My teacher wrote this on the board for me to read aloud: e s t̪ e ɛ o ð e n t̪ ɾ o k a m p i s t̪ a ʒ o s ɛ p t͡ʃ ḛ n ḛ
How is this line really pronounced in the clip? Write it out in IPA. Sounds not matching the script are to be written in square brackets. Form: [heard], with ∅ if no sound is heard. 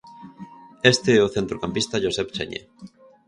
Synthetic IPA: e s t̪ e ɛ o [θ] e n t̪ ɾ o k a m p i s t̪ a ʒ o s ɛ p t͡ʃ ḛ [ɲ] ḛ